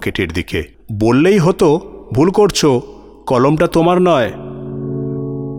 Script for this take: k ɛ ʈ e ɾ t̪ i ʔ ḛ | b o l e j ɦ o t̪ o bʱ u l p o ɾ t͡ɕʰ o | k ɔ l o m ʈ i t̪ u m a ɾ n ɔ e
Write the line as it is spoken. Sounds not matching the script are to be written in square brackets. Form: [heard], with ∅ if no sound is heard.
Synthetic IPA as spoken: k [e] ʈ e ɾ [d̪] i [k] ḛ | b o [lː] e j ɦ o t̪ o bʱ u l [k] o ɾ t͡ɕʰ o | k ɔ l o m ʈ [a] t̪ [o] m a ɾ n ɔ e